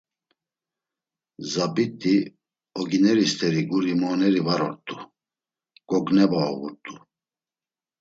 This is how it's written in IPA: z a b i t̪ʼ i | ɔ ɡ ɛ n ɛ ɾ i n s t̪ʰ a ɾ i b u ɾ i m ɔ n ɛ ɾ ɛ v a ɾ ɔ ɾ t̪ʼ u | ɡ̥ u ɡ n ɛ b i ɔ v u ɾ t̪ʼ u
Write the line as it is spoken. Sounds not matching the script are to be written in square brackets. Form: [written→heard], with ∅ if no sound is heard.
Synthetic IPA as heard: z a b i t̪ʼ i | ɔ ɡ [ɛ→i] n ɛ ɾ i [n→∅] s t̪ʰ [a→ɛ] ɾ i [b→ɡ] u ɾ i m ɔ n ɛ ɾ [ɛ→i] v a ɾ ɔ ɾ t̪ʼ u | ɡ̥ [u→ɔ] ɡ n ɛ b [i→a] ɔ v u ɾ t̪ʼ u